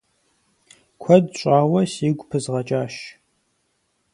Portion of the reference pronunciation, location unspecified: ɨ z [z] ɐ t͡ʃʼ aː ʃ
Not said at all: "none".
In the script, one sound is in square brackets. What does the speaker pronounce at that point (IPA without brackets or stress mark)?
ʁ